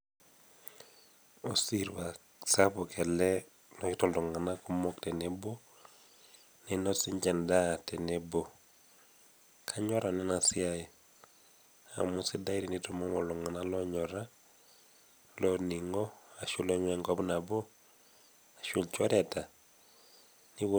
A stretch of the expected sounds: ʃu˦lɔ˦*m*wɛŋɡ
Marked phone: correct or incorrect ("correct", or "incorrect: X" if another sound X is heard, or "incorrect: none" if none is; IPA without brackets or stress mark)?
incorrect: ɲ